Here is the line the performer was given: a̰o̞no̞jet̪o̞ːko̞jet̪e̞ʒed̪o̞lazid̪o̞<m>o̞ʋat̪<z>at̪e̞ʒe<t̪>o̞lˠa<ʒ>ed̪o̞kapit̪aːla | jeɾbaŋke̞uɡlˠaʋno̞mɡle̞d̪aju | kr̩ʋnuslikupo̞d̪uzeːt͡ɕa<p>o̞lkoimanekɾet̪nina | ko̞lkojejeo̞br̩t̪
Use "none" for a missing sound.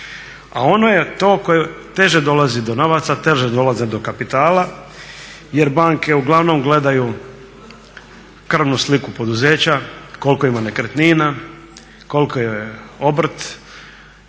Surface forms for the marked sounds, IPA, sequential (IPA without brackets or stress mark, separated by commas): n, s, d̪, z, k